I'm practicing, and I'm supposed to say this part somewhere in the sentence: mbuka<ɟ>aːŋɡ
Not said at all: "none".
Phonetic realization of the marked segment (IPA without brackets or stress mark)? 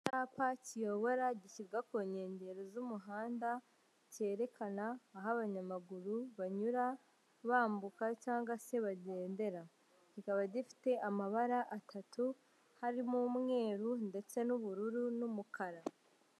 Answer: c